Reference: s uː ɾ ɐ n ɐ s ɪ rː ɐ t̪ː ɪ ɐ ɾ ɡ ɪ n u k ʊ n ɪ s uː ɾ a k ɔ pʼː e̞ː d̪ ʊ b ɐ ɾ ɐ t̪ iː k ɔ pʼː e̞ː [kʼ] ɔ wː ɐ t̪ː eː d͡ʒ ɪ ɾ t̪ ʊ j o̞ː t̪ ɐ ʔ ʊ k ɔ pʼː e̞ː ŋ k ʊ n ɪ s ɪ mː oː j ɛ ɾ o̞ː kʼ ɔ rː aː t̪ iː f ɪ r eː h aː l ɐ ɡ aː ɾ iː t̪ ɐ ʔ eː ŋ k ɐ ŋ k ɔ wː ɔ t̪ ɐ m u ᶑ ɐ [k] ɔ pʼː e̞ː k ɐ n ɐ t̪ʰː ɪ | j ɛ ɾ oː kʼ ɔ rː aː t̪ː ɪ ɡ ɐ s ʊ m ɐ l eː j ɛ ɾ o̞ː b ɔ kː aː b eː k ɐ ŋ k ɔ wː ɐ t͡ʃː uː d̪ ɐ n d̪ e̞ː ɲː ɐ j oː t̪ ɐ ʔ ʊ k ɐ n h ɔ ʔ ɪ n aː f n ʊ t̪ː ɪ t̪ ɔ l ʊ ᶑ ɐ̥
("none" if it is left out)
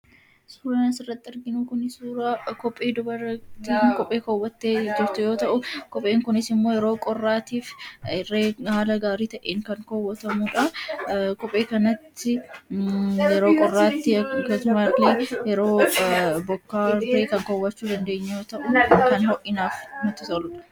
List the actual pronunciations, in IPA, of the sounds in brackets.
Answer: k, k

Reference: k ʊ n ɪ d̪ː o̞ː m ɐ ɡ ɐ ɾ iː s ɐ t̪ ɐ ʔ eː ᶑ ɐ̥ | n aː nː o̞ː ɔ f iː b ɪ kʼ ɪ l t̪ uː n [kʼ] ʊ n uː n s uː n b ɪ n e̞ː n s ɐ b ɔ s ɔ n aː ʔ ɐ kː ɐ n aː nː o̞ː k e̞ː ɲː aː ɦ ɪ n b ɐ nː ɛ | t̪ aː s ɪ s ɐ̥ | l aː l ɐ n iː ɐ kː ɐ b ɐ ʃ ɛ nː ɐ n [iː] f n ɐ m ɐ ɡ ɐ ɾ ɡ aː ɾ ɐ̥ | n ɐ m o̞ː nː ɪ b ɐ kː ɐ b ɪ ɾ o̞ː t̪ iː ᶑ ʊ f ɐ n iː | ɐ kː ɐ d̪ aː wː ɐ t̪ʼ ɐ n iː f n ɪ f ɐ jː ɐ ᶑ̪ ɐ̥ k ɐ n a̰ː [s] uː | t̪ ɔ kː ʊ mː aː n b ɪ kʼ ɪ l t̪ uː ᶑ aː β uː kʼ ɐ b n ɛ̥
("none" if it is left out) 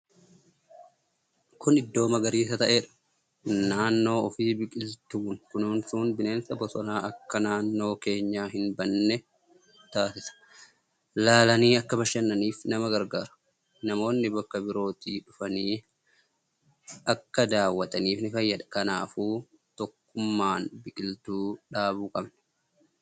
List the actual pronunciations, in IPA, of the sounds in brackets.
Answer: k, iː, f

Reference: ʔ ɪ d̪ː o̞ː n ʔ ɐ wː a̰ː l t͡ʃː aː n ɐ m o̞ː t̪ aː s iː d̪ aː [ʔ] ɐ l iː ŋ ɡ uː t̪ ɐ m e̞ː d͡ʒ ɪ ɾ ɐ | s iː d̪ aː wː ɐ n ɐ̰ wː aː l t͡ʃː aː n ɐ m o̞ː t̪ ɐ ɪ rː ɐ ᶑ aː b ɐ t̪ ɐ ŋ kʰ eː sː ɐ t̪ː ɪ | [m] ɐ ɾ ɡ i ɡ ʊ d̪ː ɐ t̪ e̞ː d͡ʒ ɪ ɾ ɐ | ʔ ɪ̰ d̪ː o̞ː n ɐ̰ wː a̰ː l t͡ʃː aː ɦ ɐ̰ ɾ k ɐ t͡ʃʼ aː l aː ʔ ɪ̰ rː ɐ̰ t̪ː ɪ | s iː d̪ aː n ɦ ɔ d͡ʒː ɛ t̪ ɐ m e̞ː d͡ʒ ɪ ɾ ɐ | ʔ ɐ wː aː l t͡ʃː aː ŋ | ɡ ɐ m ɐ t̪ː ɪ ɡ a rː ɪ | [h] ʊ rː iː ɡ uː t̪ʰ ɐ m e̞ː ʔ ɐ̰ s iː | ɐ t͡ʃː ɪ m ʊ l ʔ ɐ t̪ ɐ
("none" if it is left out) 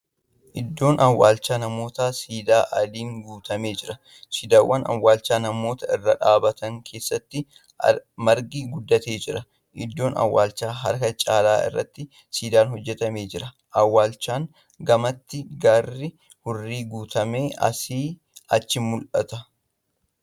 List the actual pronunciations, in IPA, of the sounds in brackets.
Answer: ʔ, m, h

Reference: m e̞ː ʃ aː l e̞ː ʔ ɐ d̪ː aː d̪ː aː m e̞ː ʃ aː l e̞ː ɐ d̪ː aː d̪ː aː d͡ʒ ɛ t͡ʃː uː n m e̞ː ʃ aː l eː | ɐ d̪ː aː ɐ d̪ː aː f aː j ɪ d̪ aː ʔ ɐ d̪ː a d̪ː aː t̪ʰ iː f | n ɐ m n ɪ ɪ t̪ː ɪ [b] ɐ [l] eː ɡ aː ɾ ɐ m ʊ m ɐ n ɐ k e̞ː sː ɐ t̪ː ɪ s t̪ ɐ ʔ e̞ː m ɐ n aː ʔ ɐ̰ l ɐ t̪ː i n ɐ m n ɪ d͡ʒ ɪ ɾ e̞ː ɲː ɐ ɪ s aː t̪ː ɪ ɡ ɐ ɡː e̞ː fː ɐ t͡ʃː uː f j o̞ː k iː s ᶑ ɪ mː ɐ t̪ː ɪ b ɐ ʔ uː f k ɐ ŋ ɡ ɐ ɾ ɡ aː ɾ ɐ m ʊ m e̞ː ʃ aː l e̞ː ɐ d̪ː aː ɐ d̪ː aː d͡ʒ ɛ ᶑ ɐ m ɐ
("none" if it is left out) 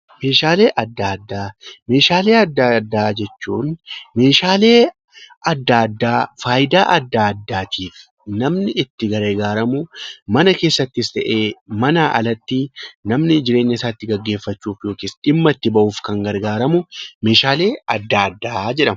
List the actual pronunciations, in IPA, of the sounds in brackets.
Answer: ɡ, ɾ

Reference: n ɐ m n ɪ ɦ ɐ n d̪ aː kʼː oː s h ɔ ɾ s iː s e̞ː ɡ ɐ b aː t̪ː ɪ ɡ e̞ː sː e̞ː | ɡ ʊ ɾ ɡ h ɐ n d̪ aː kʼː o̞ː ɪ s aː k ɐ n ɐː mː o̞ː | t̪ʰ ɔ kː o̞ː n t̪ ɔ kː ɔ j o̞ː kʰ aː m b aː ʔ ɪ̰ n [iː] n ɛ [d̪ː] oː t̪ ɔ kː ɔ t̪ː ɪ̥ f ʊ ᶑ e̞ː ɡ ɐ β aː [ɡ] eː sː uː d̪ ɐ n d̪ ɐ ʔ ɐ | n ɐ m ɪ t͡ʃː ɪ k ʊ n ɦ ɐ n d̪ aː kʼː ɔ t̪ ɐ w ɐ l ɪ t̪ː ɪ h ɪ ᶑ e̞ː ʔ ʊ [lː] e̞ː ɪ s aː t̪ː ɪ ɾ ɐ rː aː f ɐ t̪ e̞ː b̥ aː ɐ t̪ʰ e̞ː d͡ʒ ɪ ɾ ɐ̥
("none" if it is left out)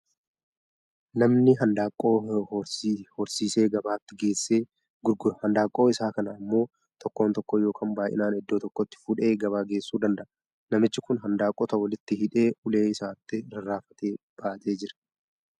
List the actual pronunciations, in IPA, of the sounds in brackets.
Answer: aː, d̪ː, ɡ, l

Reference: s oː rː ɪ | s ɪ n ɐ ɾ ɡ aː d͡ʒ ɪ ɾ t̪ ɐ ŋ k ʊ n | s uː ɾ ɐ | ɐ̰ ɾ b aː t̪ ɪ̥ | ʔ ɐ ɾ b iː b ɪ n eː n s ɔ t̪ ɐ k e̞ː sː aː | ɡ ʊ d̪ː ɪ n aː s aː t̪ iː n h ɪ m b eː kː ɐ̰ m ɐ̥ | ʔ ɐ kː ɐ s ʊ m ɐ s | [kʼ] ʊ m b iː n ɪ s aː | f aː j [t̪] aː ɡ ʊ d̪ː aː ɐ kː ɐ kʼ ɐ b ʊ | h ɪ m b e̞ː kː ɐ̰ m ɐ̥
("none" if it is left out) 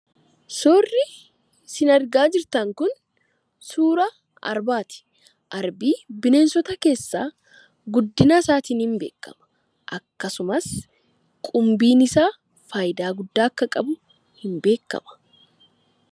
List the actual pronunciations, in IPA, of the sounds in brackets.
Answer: kʼ, d̪

